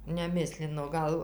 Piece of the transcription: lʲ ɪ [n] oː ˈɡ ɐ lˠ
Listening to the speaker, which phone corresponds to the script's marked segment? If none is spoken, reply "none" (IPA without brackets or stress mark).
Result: n